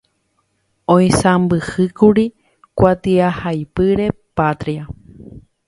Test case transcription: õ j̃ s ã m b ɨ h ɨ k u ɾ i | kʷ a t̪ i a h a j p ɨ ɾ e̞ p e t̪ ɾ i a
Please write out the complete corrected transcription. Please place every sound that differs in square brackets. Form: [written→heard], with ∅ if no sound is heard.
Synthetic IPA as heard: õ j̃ s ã m b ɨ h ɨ k u ɾ i | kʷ a t̪ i a h a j p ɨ ɾ e̞ p [e→a] t̪ ɾ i a